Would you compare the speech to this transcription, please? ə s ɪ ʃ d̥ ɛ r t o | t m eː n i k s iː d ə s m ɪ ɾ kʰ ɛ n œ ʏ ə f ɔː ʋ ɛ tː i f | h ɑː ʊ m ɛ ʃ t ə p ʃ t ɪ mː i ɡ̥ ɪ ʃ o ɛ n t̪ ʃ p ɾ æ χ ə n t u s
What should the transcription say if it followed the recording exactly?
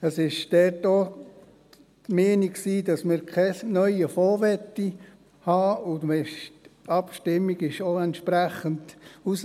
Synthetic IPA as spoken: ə s ɪ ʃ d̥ ɛ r t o | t m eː n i k s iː d ɑ s m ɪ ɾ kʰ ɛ n œ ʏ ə f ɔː ʋ ɛ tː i | h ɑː ʊ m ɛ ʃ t ɑ p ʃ t ɪ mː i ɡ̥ ɪ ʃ o ɛ n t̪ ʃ p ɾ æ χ ə n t u s